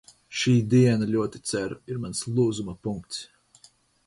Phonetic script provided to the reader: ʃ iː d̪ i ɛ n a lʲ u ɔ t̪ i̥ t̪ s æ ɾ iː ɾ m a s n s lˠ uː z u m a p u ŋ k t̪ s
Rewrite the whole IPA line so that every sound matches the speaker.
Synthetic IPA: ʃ iː d̪ i ɛ n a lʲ u ɔ t̪ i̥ t̪ s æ ɾ i ɾ m a n s lˠ uː z u m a p u ŋ k t̪ s